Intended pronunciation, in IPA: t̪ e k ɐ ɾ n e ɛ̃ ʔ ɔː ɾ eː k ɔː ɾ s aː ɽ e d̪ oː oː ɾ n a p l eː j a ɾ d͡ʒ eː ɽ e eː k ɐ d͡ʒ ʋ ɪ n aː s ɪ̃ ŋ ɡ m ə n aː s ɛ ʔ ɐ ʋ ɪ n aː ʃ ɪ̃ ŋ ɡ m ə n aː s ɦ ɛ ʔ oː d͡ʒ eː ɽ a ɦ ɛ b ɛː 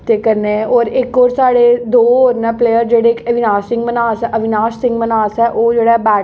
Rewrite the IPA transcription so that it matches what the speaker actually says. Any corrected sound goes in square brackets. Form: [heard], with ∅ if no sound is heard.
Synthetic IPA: t̪ e k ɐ ɾ n e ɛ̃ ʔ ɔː ɾ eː k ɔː ɾ s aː ɽ e d̪ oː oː ɾ n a p l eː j [ə] ɾ d͡ʒ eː ɽ e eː k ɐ [∅] ʋ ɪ n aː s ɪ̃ ŋ ɡ m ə n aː s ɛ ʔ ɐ ʋ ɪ n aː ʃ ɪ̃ ŋ ɡ m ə n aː s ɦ ɛ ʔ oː d͡ʒ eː ɽ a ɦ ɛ b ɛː